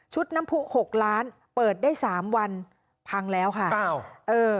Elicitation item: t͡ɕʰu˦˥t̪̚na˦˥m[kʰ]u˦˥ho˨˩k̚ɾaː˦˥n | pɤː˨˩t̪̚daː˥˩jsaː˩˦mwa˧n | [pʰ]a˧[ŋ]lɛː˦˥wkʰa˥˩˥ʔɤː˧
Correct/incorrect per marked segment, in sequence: incorrect, correct, correct

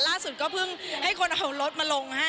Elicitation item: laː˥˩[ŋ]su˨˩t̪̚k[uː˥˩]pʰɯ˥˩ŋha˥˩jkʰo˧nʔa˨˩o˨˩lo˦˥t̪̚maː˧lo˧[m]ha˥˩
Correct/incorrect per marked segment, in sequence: incorrect, incorrect, incorrect

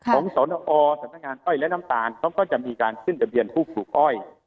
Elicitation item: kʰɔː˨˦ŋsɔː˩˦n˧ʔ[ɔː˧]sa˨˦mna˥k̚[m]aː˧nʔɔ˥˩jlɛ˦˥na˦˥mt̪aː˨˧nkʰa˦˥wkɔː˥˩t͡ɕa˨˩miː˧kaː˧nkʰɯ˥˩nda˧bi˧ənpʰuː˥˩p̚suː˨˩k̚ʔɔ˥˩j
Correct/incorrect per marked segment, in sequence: correct, incorrect

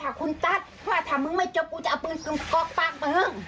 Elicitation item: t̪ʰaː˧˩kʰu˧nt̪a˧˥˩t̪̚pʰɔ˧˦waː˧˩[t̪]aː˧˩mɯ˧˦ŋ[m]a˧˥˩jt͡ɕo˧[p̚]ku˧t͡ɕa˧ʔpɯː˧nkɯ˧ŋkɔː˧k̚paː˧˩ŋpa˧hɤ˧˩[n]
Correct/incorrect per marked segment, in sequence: incorrect, correct, correct, incorrect

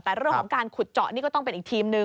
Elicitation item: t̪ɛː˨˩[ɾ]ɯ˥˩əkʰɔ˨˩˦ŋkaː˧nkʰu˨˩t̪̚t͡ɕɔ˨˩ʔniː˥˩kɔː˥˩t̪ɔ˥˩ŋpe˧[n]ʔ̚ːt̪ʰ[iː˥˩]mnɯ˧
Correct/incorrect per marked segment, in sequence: correct, correct, incorrect

